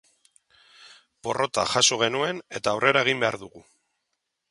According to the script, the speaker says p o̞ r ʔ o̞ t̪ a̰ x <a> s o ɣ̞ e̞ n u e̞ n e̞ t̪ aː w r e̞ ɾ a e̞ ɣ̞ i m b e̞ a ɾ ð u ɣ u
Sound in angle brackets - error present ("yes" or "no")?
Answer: no